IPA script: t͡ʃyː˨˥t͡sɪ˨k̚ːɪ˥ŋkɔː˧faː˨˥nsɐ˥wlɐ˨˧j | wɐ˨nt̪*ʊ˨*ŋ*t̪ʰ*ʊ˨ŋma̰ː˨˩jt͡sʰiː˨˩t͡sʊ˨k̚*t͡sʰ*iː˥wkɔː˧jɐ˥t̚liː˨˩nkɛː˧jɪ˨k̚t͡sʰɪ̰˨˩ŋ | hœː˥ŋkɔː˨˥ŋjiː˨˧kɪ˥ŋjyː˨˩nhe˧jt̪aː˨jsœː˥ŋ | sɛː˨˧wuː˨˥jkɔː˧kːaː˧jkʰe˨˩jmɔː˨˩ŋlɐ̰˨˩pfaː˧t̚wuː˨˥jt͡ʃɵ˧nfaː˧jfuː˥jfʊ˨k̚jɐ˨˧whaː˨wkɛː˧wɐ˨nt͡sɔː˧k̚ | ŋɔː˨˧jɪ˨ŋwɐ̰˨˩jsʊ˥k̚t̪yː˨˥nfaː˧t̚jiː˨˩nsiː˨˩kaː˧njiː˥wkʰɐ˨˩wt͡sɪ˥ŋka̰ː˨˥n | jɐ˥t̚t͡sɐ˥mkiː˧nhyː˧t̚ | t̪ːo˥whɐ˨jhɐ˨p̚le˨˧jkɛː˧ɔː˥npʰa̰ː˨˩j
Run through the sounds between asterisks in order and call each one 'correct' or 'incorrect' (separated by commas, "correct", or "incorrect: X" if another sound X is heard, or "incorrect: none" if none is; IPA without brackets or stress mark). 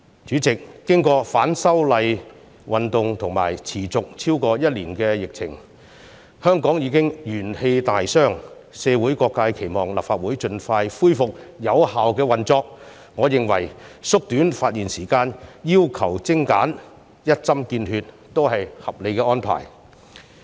correct, correct, correct